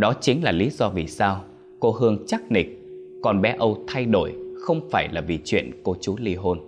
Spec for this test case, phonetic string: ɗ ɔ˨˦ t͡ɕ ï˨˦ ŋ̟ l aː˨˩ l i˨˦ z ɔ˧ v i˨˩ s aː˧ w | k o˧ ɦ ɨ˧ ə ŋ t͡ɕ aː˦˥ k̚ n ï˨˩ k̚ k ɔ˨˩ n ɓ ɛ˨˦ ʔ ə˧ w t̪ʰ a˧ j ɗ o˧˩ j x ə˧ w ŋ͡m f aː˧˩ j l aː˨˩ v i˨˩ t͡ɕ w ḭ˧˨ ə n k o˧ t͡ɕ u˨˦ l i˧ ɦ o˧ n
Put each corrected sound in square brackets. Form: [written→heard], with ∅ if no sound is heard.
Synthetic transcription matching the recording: ɗ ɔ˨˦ t͡ɕ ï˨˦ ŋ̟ l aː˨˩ l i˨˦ z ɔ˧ v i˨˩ s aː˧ w | k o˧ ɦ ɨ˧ ə ŋ t͡ɕ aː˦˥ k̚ n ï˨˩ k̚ k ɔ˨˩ n ɓ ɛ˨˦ ʔ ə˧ w t̪ʰ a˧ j ɗ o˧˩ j x ə˧ w ŋ͡m f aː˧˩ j l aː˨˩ v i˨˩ t͡ɕ w ḭ˧˨ ə n k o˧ t͡ɕ u˨˦ l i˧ ɦ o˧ n